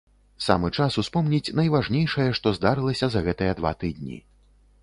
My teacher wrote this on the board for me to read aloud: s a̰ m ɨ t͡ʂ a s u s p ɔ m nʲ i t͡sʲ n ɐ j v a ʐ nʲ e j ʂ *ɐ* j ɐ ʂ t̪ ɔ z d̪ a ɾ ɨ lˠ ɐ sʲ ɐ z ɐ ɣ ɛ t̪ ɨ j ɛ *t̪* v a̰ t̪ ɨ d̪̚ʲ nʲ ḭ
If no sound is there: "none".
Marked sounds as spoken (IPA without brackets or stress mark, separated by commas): ɐ, d̪